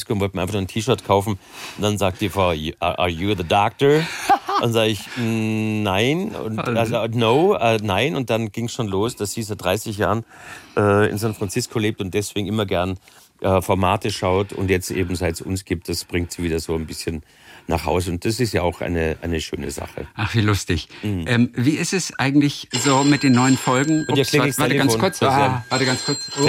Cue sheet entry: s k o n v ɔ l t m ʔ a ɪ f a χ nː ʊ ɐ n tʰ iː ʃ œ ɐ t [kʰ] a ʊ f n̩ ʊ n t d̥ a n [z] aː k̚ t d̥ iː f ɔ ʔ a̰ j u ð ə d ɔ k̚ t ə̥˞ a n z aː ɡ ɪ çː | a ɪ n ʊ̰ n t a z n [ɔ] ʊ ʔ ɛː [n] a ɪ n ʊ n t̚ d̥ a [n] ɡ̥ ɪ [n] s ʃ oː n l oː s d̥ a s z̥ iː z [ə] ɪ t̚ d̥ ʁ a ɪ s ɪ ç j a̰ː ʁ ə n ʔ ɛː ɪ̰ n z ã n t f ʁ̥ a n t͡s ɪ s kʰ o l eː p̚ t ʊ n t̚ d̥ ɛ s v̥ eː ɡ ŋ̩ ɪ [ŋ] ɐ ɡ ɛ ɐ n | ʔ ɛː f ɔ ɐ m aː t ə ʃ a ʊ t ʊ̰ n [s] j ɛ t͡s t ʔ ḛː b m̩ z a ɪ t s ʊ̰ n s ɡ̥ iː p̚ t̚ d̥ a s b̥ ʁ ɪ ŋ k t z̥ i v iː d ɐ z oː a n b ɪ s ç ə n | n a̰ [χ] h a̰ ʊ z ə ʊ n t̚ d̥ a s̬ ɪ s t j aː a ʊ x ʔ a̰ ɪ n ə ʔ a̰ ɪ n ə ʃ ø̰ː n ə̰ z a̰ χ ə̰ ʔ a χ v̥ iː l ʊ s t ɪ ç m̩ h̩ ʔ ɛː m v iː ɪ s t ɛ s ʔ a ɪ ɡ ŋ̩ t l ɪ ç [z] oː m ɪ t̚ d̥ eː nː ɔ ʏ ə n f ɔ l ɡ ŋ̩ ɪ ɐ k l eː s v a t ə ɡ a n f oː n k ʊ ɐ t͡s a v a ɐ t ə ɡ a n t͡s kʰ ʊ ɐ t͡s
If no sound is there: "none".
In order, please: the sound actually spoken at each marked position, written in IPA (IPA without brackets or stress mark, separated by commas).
kʰ, z, o, n, n, ŋ, a, m, t, χ, z